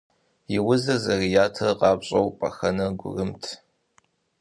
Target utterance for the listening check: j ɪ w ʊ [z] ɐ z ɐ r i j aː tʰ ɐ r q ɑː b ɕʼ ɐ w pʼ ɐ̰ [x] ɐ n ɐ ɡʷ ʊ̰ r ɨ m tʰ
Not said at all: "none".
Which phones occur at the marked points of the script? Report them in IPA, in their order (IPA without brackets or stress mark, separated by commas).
z, x